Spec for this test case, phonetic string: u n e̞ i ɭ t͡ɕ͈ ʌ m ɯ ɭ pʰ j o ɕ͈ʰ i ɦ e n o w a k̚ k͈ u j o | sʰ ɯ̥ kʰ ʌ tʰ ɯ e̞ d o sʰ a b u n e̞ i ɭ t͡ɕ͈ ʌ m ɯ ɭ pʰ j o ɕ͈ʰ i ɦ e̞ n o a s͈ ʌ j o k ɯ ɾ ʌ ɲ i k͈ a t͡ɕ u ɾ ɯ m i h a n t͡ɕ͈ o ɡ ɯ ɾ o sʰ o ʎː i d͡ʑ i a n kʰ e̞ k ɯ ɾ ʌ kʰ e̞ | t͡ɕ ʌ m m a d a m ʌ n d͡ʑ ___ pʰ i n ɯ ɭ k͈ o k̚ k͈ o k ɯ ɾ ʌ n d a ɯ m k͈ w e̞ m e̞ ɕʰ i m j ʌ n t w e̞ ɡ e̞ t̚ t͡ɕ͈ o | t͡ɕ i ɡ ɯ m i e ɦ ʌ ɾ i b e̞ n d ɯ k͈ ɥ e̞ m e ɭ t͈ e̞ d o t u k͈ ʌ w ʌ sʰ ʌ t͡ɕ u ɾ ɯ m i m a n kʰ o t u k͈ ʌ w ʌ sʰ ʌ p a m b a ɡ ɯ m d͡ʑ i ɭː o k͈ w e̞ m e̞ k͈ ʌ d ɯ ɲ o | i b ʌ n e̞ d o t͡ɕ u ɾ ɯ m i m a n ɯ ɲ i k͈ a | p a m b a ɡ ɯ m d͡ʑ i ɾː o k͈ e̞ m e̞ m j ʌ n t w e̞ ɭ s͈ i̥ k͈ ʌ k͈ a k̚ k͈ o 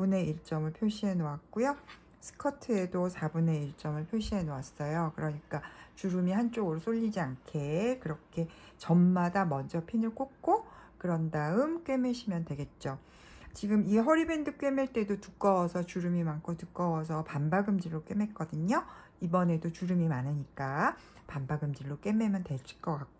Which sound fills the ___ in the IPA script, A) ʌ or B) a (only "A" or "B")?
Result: A